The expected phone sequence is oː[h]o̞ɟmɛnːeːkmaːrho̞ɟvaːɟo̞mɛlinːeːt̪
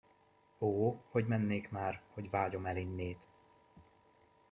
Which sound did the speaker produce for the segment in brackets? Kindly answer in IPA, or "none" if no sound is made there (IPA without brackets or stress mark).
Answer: h